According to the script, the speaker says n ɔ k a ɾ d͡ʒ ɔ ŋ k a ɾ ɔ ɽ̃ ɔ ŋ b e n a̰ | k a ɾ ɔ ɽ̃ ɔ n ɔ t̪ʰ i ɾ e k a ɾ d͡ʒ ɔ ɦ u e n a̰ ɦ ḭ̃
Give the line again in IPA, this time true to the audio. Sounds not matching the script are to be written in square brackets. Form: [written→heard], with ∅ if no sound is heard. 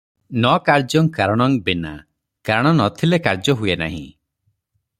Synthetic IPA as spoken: n ɔ k a ɾ d͡ʒ ɔ ŋ k a ɾ ɔ ɽ̃ ɔ ŋ b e n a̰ | k a ɾ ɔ ɽ̃ ɔ n ɔ t̪ʰ i [ɾ→l] e k a ɾ d͡ʒ ɔ ɦ u e n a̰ ɦ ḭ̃